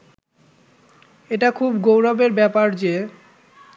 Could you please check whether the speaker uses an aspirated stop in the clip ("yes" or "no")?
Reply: yes